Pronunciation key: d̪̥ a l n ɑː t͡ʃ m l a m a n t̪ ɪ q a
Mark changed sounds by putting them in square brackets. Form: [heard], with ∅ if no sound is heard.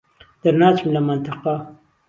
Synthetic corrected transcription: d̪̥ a [ɾ] n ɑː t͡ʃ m l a m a n t̪ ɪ q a